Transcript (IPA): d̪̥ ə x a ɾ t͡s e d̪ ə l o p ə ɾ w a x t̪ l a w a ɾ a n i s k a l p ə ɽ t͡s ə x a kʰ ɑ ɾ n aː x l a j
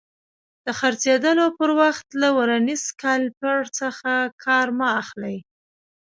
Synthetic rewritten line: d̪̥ ə x a ɾ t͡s e d̪ ə l o p ə ɾ w a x t̪ l a w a ɾ a n i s k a l p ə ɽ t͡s ə x a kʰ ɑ ɾ m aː x l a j